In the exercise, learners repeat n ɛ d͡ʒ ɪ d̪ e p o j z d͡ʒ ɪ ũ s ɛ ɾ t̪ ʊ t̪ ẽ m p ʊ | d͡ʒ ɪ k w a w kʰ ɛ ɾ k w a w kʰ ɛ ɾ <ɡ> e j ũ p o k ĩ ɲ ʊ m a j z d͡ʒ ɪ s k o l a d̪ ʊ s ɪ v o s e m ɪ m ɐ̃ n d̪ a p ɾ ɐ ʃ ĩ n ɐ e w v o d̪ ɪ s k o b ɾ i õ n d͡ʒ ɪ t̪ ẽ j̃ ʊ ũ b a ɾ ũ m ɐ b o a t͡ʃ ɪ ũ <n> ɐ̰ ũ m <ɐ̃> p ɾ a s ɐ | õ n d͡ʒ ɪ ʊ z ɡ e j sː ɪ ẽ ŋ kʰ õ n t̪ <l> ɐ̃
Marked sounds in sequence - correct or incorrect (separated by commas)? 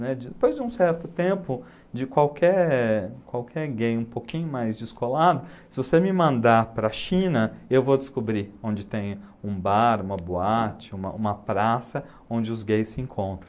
correct, incorrect, incorrect, incorrect